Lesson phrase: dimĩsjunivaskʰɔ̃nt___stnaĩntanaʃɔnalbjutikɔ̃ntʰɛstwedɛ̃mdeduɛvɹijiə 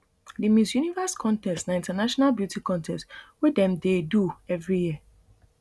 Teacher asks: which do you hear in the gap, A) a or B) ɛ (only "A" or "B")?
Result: B